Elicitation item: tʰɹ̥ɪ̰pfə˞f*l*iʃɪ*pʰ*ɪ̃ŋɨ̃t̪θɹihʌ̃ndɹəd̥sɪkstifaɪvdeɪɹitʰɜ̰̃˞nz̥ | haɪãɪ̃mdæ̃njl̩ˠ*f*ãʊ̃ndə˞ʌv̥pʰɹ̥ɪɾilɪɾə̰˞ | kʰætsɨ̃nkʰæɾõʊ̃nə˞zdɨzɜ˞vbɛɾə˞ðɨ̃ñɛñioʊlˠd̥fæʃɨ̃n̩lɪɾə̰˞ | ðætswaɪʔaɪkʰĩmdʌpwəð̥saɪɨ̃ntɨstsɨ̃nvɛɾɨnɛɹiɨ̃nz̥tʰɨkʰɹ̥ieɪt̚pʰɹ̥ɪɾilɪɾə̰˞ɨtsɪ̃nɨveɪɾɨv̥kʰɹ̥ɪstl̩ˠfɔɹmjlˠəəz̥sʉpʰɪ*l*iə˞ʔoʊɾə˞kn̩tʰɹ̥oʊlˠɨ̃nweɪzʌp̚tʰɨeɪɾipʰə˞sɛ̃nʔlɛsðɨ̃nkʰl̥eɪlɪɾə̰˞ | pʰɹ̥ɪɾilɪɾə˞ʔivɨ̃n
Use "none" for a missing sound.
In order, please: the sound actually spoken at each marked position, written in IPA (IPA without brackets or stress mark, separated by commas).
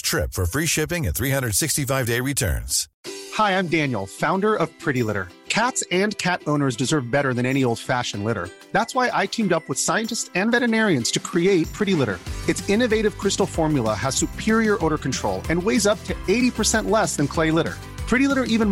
ɹ, p, f, ɹ